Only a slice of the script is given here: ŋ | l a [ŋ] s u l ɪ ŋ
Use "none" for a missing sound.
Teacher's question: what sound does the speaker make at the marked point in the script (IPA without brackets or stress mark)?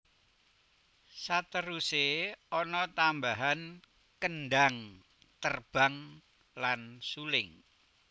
n